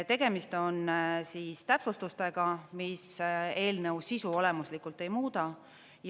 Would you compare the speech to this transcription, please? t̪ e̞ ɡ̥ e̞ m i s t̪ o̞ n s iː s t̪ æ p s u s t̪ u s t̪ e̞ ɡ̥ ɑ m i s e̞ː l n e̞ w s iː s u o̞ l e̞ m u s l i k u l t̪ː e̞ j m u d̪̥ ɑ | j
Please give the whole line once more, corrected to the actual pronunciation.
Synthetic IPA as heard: t̪ e̞ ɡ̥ e̞ m i s t̪ o̞ n s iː s t̪ æ p s u s t̪ u s t̪ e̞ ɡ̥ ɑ m i s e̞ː l n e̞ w s i s u o̞ l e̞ m u s l i k u l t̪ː e̞ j m uː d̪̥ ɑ | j